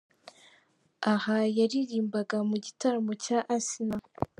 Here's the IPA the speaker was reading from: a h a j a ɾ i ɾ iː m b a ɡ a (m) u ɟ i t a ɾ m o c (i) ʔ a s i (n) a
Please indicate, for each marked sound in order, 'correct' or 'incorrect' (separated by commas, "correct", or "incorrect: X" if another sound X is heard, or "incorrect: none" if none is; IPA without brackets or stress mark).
correct, incorrect: a, correct